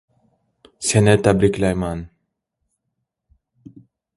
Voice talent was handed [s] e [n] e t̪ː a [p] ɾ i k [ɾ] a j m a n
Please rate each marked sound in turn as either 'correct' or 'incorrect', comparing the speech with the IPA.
correct, correct, incorrect, incorrect

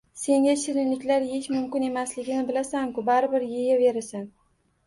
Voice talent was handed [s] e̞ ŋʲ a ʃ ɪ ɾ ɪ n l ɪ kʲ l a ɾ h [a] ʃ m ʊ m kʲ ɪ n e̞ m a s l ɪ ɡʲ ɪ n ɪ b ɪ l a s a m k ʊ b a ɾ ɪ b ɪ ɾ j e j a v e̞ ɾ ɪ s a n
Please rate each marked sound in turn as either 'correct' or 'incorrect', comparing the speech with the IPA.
correct, incorrect

